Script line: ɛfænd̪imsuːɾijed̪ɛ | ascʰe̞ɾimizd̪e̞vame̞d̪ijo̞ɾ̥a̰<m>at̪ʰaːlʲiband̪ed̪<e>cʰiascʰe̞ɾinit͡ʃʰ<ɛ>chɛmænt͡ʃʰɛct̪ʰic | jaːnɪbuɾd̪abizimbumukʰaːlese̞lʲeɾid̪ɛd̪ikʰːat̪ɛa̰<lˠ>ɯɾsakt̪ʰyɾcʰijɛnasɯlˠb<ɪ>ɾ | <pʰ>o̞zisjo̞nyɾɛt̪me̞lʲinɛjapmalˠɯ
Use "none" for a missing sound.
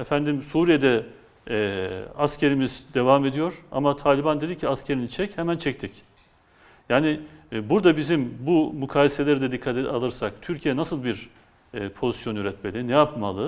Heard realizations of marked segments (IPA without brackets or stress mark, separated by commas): m, i, ɛ, lˠ, i, pʰ